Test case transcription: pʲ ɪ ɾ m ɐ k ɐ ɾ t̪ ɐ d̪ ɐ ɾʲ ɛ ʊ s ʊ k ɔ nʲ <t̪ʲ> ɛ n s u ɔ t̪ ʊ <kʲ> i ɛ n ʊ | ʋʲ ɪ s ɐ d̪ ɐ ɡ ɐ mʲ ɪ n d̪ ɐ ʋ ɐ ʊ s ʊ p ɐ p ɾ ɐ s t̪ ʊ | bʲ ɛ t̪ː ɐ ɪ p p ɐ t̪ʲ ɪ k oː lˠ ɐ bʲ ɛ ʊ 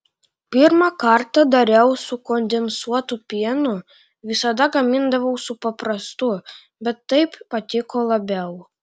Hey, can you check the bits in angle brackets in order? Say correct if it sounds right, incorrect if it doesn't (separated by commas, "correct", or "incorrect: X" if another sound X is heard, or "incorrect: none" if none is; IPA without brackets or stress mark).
incorrect: d̪ʲ, incorrect: pʲ